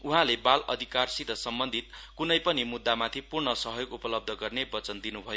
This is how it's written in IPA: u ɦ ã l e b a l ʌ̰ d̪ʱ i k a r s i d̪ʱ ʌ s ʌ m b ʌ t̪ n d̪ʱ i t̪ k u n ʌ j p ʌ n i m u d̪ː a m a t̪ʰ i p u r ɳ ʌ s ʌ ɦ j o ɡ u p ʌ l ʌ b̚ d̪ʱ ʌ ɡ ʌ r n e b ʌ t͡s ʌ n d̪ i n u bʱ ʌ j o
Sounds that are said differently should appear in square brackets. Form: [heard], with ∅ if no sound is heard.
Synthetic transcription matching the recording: u ɦ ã l e b a l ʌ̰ d̪ʱ i k a r s i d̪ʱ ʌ s ʌ m b ʌ [∅] n d̪ʱ i t̪ k u n ʌ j p ʌ n i m u d̪ː a m a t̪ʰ i p u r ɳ ʌ s ʌ ɦ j o ɡ u p ʌ l ʌ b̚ d̪ʱ ʌ ɡ ʌ r n e b ʌ t͡s ʌ n d̪ i n u bʱ ʌ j o